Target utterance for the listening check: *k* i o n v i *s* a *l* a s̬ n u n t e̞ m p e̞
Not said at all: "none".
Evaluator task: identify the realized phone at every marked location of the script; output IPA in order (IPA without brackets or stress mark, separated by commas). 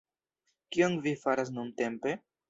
k, f, ɾ